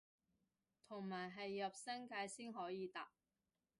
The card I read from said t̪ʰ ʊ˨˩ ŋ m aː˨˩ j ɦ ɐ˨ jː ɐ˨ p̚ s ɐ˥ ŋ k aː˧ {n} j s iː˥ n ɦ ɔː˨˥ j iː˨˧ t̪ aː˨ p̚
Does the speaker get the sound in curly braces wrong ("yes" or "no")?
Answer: yes